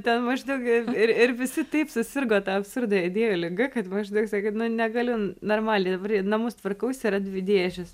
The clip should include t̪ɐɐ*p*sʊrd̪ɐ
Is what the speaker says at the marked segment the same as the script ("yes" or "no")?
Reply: yes